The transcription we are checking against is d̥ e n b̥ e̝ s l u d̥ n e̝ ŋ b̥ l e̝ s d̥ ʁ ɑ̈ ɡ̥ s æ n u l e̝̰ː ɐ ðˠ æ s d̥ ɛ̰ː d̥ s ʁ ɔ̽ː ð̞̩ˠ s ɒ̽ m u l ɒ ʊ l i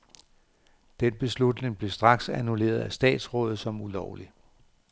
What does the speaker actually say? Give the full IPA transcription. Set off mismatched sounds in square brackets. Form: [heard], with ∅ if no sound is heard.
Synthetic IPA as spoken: d̥ e n b̥ e̝ s l u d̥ n e̝ ŋ b̥ l e̝ s d̥ ʁ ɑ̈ ɡ̥ s æ n u l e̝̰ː ɐ ðˠ æ s d̥ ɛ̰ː d̥ s ʁ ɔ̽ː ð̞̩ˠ s ɒ̽ m u l ɒ ʊ l i